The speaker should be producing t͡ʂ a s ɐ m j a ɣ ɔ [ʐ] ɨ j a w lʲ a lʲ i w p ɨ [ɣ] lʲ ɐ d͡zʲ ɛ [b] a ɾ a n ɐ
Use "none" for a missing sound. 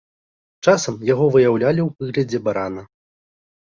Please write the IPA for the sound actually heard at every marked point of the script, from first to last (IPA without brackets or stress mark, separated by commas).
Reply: v, ɣ, b